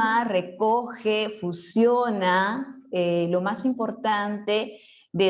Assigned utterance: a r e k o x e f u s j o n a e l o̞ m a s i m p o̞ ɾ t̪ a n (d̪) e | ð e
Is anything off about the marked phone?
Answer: yes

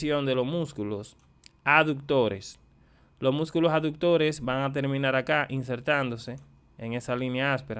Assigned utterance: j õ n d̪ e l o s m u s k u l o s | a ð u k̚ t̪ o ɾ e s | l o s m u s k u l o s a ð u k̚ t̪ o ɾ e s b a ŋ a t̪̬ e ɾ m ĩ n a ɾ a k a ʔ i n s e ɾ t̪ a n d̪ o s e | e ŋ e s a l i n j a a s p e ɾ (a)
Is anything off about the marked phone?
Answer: no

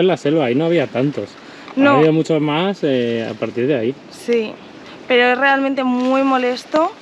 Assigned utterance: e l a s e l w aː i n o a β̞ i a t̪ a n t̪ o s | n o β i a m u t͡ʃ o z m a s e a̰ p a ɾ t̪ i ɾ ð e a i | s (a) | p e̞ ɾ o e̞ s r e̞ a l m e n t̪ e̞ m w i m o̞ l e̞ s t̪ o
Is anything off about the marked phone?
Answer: yes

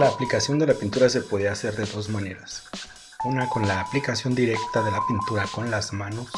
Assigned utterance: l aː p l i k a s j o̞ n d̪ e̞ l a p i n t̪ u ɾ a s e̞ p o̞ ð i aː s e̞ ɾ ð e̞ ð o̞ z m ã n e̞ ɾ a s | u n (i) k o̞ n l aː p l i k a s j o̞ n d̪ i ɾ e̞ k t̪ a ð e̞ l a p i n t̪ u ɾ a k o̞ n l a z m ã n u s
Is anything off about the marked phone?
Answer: yes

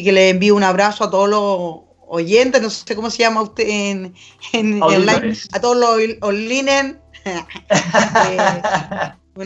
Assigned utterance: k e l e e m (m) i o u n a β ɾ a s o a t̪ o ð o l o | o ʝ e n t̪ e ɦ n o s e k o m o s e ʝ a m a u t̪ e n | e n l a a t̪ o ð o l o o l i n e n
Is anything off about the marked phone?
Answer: yes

